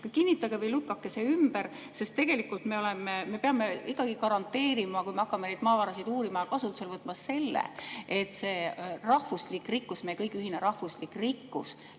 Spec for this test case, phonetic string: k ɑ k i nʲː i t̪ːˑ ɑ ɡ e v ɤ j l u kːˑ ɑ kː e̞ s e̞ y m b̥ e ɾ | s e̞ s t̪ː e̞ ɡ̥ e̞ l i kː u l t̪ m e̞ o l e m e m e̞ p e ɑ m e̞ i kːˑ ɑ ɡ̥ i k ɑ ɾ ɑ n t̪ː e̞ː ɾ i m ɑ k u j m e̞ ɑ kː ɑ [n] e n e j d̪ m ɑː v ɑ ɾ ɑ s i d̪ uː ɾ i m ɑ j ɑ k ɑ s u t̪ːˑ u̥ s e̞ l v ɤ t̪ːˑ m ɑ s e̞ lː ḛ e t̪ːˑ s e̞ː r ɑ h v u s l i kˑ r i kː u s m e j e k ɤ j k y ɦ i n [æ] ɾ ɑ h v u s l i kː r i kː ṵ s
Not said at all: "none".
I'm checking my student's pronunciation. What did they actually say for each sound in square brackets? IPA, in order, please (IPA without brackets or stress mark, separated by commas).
m, e